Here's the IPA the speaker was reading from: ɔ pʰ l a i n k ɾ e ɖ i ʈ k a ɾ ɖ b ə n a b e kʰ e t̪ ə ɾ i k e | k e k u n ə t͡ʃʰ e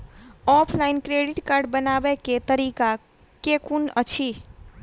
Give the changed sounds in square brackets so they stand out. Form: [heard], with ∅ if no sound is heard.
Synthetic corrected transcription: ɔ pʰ l a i n k ɾ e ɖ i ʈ k a ɾ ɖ b ə n a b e [k] e t̪ ə ɾ i k [a] | k e k u n ə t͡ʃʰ [i]